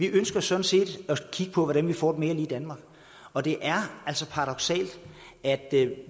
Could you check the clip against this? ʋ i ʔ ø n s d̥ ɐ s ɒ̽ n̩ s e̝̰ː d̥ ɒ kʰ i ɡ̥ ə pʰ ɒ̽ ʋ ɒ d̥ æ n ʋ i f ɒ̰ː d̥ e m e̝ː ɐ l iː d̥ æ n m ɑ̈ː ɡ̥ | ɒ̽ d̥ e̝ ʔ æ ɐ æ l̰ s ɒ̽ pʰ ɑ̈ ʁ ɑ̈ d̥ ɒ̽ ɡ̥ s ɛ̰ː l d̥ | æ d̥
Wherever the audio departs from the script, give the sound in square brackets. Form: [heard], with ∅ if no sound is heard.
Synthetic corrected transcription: ʋ i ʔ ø n s [ɡ̥] ɐ s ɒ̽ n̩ s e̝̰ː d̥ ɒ kʰ i ɡ̥ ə pʰ ɒ̽ ʋ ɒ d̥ æ n ʋ i f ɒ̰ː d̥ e m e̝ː ɐ l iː d̥ æ n m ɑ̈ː ɡ̥ | ɒ̽ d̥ e̝ ʔ æ ɐ æ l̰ s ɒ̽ pʰ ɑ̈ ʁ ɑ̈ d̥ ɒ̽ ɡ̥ s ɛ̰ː l d̥ | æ d̥